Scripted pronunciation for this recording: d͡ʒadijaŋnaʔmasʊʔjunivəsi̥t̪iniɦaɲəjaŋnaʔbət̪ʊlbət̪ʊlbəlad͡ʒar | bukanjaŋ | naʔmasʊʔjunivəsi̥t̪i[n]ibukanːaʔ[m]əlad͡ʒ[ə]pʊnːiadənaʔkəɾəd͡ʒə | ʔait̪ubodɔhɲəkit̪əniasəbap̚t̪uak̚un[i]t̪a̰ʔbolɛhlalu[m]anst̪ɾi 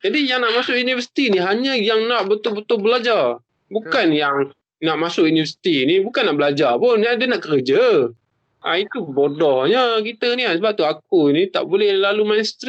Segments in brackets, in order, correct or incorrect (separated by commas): correct, incorrect, incorrect, correct, correct